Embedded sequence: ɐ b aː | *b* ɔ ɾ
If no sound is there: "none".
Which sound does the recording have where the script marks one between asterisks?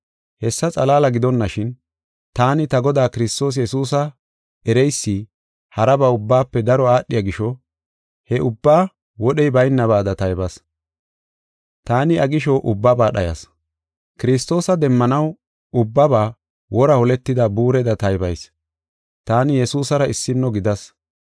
w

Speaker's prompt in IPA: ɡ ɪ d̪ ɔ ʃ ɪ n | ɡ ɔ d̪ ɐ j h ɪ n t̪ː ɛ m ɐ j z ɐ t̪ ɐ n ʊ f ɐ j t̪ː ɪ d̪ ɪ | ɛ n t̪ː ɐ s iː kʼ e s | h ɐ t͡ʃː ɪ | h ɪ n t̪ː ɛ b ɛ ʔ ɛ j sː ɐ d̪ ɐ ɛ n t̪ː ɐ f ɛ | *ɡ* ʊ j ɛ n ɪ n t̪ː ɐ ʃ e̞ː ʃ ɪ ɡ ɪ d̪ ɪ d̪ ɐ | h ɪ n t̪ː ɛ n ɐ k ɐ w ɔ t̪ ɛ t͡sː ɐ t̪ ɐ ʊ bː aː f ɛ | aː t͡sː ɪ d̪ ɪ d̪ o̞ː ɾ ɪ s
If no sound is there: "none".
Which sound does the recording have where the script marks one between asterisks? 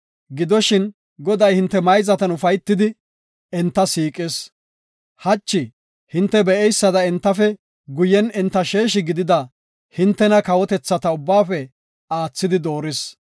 ɡ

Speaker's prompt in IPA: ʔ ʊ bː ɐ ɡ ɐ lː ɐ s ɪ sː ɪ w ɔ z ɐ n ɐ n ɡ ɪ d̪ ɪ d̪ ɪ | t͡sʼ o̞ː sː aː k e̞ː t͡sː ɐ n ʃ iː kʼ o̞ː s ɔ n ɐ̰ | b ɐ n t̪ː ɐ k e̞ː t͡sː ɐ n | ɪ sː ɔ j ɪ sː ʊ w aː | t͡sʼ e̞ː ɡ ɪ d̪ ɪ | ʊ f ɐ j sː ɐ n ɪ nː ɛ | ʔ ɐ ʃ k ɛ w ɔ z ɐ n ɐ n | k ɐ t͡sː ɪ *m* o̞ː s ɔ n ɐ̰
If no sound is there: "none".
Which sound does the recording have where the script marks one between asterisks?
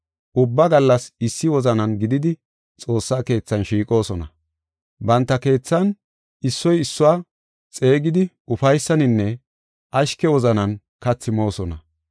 m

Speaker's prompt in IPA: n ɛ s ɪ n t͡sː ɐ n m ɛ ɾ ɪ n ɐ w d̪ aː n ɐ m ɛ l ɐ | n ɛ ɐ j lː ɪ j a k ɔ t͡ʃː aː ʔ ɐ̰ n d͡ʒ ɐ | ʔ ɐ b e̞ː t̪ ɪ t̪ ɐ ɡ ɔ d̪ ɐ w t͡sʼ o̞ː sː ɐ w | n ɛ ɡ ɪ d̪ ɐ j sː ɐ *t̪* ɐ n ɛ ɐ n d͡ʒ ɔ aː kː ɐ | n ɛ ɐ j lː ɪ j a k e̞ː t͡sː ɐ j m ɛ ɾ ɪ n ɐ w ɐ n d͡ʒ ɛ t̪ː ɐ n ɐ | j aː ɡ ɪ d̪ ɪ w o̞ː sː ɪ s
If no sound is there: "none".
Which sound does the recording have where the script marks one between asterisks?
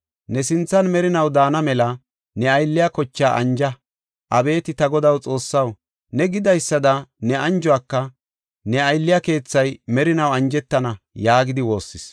d̪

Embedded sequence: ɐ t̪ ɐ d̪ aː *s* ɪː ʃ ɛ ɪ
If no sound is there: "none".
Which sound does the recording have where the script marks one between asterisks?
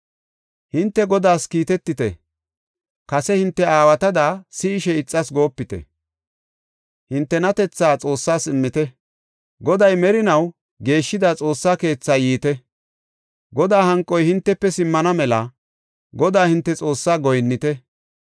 s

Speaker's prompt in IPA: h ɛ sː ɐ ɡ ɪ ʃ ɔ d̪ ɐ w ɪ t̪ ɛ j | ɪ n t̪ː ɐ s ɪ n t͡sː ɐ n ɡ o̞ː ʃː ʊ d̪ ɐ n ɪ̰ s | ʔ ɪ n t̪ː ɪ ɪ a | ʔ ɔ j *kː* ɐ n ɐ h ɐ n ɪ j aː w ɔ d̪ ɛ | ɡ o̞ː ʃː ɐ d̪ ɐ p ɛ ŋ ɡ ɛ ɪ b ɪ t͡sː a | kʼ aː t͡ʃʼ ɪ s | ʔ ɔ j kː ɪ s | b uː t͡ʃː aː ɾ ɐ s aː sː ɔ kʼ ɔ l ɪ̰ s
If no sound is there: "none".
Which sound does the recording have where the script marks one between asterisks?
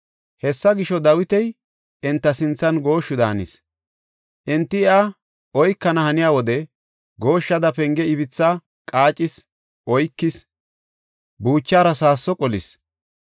kː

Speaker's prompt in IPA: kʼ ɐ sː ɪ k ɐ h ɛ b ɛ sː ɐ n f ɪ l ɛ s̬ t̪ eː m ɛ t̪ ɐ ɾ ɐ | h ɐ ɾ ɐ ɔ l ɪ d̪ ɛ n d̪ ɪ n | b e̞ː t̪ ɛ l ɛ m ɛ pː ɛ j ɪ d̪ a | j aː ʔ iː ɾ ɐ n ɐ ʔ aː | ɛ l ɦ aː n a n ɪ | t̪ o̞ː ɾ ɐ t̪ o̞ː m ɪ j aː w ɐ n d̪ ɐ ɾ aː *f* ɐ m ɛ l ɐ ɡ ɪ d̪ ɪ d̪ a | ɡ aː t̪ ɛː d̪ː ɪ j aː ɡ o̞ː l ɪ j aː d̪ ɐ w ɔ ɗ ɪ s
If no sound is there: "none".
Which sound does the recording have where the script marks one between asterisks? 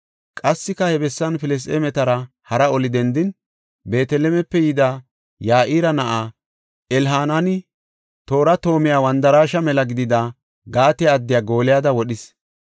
ʃ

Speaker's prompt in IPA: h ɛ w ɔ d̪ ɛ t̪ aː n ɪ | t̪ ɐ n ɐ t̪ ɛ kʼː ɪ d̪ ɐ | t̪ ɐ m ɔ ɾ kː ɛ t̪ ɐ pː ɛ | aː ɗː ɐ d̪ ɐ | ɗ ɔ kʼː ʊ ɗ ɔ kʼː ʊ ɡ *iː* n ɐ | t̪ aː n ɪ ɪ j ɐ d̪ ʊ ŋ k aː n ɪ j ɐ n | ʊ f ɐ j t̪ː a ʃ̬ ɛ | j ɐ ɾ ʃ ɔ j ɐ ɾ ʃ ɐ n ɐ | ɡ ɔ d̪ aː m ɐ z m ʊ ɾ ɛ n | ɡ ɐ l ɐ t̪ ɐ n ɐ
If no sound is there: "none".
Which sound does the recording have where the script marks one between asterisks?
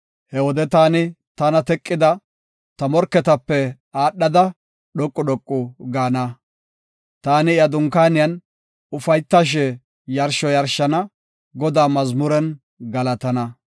aː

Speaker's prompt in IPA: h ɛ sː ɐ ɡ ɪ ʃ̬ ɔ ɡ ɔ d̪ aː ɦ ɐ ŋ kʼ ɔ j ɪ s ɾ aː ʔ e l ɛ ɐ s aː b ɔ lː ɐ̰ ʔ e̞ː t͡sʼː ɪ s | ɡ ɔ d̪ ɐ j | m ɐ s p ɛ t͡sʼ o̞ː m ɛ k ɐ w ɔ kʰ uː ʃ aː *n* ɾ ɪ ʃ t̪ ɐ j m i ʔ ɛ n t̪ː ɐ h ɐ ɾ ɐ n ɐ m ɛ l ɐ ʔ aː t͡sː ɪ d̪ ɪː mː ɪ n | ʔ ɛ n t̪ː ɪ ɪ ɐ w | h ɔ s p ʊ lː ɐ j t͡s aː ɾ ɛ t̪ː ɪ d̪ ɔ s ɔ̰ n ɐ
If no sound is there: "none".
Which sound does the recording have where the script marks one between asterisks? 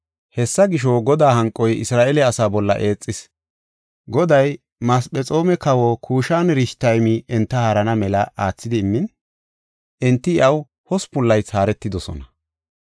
n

